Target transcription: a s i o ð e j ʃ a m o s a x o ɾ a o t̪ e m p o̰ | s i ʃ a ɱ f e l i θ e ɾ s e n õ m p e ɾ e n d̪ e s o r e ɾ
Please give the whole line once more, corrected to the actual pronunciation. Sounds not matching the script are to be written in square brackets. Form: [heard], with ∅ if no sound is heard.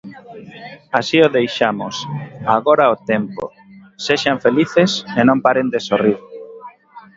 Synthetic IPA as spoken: a s i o ð e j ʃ a m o s a [ɣ] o ɾ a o t̪ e m p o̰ | s [e] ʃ a ɱ f e l i θ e [∅] s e n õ m p [a] ɾ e n d̪ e s o r [i] ɾ